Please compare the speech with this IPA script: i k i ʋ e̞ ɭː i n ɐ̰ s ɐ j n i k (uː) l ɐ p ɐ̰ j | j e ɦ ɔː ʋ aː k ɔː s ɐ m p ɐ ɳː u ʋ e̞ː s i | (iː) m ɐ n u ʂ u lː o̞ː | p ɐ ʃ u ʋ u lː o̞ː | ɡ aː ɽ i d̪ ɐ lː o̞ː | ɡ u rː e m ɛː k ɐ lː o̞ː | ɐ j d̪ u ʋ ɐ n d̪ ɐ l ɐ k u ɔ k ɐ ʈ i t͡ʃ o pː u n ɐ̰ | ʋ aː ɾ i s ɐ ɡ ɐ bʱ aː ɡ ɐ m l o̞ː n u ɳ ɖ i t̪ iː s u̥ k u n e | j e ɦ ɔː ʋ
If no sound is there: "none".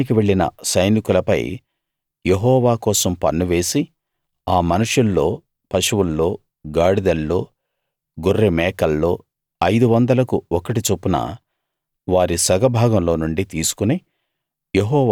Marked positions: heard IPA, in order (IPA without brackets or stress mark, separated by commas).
u, aː